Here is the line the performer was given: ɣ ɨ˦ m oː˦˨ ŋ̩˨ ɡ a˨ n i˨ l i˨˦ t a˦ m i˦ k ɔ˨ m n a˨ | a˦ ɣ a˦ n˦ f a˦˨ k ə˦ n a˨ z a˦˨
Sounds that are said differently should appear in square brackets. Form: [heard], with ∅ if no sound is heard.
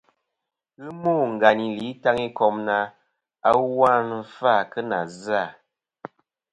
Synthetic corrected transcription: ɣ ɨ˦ m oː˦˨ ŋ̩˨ ɡ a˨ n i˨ l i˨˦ t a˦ [ŋ] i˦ k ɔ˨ m n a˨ | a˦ [w] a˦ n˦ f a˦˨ k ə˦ n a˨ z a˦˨